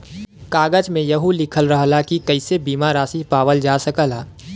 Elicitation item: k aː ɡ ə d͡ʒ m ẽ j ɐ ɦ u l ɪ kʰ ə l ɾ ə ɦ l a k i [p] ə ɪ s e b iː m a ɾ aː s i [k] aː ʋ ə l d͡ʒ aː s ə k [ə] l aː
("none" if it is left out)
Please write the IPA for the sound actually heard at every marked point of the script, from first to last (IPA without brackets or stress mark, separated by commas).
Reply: k, p, ə